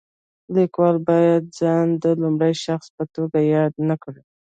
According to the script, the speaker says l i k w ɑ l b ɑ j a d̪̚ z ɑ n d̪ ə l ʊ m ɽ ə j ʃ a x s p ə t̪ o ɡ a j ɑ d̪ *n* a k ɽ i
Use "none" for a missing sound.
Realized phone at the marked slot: n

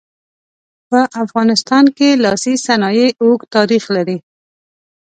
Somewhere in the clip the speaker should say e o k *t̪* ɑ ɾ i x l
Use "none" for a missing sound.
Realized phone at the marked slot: t̪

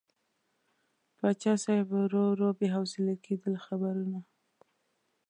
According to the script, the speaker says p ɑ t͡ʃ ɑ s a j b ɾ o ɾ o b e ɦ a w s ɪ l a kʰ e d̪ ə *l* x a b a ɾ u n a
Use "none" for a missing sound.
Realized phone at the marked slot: l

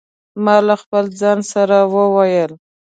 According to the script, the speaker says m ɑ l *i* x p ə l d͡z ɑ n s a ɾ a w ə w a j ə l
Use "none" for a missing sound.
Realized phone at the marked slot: a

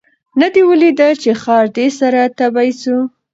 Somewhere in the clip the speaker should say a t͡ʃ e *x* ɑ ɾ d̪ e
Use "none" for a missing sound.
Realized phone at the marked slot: x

